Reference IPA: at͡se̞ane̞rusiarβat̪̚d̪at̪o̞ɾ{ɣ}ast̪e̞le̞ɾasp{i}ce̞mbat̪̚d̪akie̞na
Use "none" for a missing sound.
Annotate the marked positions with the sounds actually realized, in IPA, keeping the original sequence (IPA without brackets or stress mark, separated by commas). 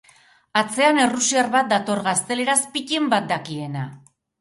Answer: ɣ, i